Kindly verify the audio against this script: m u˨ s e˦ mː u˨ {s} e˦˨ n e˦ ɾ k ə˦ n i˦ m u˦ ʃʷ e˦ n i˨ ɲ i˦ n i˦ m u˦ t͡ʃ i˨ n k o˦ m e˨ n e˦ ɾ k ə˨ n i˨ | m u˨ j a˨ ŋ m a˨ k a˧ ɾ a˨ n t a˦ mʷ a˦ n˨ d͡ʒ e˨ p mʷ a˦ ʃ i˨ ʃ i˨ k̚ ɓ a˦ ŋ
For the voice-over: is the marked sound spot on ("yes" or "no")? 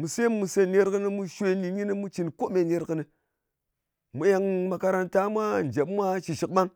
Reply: yes